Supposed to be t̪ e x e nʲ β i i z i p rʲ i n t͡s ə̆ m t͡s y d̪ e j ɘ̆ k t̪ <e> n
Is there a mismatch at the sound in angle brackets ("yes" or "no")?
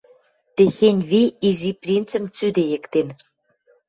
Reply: no